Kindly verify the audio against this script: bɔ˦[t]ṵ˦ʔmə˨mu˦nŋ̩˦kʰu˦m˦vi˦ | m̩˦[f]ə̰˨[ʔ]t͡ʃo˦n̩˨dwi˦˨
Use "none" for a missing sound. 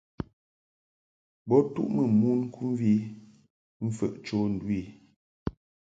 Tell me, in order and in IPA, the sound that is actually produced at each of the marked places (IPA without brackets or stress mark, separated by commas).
t, f, ʔ